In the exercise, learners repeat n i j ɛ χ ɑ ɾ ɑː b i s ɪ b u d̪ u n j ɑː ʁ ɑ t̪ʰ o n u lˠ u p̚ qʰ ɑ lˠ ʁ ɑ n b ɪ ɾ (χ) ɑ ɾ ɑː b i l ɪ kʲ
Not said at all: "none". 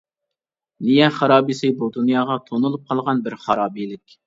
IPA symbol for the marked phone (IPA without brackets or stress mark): χ